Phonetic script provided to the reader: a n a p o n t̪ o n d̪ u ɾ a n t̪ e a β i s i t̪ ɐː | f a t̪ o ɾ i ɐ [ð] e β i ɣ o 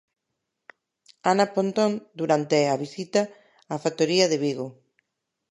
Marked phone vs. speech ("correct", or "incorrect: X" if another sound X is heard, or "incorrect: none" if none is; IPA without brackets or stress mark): correct